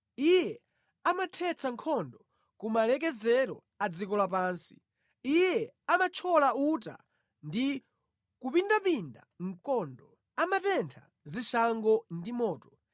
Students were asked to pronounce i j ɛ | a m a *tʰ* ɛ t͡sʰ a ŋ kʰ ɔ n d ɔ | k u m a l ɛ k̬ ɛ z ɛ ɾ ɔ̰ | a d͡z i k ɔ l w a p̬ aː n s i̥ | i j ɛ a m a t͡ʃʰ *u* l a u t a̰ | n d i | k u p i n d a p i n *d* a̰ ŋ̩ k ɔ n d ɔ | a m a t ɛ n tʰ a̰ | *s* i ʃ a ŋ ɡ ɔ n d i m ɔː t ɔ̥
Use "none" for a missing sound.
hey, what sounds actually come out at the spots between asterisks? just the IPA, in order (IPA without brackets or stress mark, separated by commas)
tʰ, ɔ, d, z